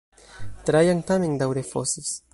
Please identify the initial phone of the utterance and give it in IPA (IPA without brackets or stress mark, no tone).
t̪